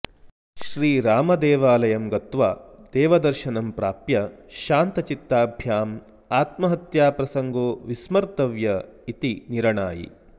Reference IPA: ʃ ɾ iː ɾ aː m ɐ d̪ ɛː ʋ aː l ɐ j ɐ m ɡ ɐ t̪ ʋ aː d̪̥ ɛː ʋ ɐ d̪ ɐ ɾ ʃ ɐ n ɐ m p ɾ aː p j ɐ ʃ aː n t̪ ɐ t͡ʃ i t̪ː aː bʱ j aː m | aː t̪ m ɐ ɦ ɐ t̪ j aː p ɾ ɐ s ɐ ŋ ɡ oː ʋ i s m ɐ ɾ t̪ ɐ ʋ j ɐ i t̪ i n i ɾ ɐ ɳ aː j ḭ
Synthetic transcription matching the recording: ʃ ɾ iː ɾ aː m ɐ d̪ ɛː ʋ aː l ɐ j ɐ m ɡ ɐ t̪ ʋ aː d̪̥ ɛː ʋ ɐ d̪ ɐ ɾ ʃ ɐ n ɐ m p ɾ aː p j ɐ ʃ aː n t̪ ɐ t͡ʃ i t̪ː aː bʱ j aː m | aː t̪ m ɐ ɦ ɐ t̪ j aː p ɾ ɐ s ɐ ŋ ɡ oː ʋ i s m ɐ ɾ t̪ ɐ ʋ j ɐ i t̪ i n i ɾ ɐ ɳ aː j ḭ